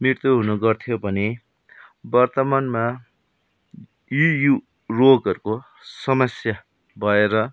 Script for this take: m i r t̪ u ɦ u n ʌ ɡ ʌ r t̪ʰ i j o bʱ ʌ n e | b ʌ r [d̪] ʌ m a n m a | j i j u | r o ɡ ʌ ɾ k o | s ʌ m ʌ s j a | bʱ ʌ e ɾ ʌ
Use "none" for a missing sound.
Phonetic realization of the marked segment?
t̪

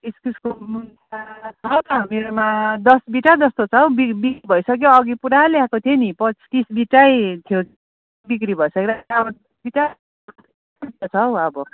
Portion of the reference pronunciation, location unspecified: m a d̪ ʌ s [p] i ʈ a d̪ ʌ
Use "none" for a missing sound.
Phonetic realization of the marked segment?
b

